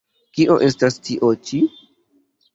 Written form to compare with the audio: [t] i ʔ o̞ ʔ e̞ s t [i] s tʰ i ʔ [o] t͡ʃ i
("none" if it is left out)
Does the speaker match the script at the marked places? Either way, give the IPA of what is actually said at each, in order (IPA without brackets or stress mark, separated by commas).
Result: k, a, o